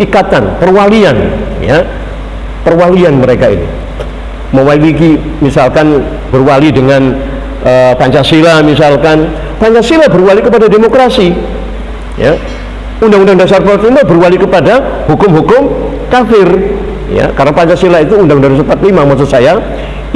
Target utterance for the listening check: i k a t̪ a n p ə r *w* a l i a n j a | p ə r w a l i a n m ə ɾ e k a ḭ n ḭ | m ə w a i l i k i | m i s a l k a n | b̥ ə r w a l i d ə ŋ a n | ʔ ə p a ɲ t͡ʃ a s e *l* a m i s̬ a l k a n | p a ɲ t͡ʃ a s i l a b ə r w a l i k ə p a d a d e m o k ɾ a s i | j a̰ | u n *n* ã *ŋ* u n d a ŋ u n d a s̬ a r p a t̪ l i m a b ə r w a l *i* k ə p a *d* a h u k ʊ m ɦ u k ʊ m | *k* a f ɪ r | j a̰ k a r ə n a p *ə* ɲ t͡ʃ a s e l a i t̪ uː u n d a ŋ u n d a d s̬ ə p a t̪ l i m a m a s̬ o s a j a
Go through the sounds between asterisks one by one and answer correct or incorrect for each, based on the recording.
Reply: correct, correct, incorrect: d, correct, correct, correct, correct, incorrect: a

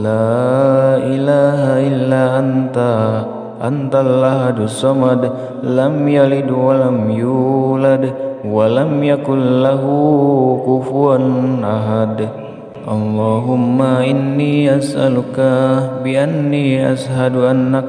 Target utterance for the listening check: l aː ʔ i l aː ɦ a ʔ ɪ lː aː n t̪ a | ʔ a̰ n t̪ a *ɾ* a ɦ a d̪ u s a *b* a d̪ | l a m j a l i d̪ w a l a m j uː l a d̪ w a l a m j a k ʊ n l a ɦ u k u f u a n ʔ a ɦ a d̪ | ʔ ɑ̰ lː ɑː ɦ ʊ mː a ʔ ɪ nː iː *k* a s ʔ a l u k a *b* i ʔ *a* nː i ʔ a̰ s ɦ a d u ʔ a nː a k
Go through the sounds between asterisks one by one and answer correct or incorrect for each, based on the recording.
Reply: incorrect: l, incorrect: m, incorrect: ʔ, correct, correct

